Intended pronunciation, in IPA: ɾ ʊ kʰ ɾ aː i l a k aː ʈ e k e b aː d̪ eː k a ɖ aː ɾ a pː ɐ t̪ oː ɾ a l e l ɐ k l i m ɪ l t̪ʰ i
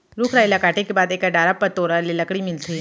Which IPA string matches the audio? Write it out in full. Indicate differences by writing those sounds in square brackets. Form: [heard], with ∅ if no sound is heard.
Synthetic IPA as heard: ɾ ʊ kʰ ɾ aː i l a k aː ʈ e k e b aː d̪ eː k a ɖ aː ɾ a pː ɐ t̪ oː ɾ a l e l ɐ k [ɽ] i m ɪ l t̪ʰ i